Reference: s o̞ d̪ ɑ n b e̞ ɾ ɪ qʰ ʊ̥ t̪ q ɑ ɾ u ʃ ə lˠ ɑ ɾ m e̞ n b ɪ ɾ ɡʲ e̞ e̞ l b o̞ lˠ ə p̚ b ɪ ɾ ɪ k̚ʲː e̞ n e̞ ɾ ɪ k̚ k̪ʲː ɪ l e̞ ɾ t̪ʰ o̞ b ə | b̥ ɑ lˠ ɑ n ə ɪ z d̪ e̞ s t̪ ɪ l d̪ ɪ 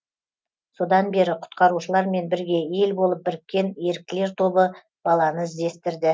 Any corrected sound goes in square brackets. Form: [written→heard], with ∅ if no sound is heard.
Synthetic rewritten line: s o̞ d̪ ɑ n b e̞ ɾ ɪ qʰ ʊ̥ t̪ q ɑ ɾ u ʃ ə lˠ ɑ ɾ m e̞ n b ɪ ɾ ɡʲ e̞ e̞ l b o̞ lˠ ə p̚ b ɪ ɾ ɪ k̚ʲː e̞ n e̞ ɾ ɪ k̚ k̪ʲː ɪ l e̞ ɾ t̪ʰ o̞ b ə | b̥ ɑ lˠ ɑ n ə ɪ z d̪ e̞ s t̪ ɪ [l→ɾ] d̪ ɪ